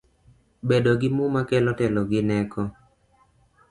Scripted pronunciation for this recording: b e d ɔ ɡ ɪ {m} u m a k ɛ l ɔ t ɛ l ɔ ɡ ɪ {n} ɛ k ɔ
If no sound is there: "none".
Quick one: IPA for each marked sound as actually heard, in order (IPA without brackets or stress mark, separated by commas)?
m, n